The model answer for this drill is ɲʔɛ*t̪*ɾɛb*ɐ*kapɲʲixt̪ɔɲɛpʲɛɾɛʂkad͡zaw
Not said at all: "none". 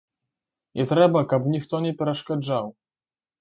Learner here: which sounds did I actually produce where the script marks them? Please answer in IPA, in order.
t̪, a

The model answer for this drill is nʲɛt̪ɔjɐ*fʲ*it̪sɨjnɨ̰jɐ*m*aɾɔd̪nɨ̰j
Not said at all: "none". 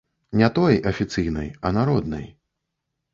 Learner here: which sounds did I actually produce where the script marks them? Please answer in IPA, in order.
fʲ, n

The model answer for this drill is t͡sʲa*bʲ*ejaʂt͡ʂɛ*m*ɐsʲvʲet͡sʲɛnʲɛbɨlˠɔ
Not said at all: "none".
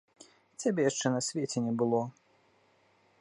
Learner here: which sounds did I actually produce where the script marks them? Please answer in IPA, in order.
bʲ, n

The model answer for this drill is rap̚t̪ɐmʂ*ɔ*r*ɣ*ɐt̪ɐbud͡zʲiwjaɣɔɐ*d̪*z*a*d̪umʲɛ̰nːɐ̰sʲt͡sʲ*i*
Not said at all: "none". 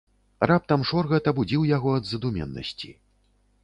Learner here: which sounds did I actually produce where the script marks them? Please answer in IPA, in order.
ɔ, ɣ, d̪, ɐ, i

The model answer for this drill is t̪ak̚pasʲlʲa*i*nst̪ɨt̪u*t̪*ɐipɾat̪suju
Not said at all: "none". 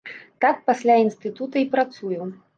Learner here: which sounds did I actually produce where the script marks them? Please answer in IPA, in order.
i, t̪

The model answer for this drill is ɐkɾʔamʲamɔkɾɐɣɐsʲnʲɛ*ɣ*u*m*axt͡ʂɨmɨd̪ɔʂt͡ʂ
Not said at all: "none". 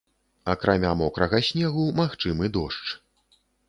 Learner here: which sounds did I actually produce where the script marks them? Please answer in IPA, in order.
ɣ, m

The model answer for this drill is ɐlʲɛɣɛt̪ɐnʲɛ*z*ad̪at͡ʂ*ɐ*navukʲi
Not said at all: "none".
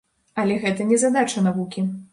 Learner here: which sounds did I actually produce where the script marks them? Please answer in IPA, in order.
z, ɐ

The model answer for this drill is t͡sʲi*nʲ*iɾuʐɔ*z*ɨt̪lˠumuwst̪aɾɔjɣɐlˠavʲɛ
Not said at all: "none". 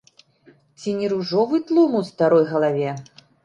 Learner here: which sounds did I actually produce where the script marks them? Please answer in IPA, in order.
nʲ, v

